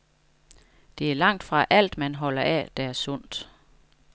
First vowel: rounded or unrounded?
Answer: unrounded